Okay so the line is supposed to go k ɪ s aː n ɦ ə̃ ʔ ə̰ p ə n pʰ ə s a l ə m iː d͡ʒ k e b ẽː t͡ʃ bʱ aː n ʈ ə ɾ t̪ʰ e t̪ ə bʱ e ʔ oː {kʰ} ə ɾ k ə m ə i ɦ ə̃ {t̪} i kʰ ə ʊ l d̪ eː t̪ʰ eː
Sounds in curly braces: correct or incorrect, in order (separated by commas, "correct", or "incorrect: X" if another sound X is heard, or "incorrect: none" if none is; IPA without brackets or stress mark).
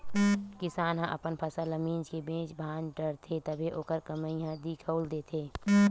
incorrect: k, incorrect: d̪